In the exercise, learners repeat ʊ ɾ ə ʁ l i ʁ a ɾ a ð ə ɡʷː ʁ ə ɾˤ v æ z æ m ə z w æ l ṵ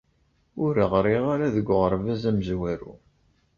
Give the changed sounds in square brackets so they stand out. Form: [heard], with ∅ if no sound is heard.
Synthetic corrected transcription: ʊ ɾ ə ʁ [ɾ] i ʁ a ɾ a ð ə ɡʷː ʁ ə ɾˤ v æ z æ m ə z w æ [ɾ] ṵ